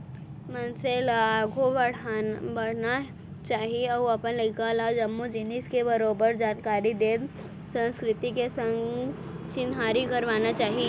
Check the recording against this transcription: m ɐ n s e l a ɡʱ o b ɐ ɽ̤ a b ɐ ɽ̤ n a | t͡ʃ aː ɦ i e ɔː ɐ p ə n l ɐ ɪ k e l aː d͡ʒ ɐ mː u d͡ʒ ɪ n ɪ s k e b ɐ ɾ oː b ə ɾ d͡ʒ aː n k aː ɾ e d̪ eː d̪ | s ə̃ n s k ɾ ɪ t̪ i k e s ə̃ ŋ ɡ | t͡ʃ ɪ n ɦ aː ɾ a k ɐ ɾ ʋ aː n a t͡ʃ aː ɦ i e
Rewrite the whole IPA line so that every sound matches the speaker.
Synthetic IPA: m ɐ n s e l a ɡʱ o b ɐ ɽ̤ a b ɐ ɽ̤ n a | t͡ʃ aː ɦ i e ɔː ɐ p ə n l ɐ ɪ k a l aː d͡ʒ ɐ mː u d͡ʒ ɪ n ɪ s k e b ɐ ɾ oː b ə ɾ d͡ʒ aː n k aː ɾ i d̪ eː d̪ | s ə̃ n s k ɾ ɪ t̪ i k e s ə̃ ŋ ɡ | t͡ʃ ɪ n ɦ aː ɾ i k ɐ ɾ ʋ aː n a t͡ʃ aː ɦ i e